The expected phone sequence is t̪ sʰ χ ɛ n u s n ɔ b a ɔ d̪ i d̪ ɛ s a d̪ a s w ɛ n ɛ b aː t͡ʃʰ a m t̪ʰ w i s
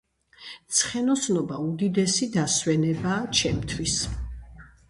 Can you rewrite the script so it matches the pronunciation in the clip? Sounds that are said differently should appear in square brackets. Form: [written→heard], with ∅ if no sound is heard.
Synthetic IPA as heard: t̪ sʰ χ ɛ n [u→ɔ] s n ɔ b a [ɔ→u] d̪ i d̪ ɛ s [a→i] d̪ a s w ɛ n ɛ b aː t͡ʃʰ [a→ɛ] m t̪ʰ w i s